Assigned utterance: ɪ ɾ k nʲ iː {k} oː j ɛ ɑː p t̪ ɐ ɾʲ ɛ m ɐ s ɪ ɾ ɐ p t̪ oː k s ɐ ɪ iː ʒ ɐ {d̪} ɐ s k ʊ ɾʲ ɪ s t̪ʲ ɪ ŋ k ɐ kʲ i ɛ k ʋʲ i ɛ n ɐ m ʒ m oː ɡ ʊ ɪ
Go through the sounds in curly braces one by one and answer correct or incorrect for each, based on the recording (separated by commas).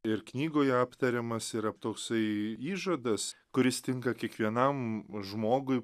incorrect, correct